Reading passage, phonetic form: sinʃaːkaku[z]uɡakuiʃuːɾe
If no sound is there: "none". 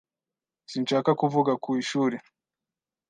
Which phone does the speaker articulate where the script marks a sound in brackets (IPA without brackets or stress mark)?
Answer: v